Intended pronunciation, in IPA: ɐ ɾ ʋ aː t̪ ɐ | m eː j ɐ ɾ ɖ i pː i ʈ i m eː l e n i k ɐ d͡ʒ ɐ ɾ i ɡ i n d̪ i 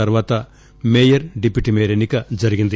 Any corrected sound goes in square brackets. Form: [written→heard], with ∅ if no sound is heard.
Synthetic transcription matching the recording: ɐ ɾ ʋ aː t̪ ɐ | m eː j ɐ ɾ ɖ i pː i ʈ i m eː [l→ɾ] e n i k ɐ d͡ʒ ɐ ɾ i ɡ i n d̪ i